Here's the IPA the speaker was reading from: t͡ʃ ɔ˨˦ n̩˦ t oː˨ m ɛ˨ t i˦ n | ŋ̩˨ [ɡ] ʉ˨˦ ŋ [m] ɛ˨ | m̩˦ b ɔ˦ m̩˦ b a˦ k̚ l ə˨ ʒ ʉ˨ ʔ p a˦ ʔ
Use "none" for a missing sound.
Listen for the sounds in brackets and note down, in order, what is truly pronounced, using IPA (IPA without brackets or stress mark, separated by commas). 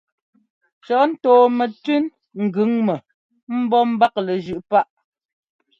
ɡ, m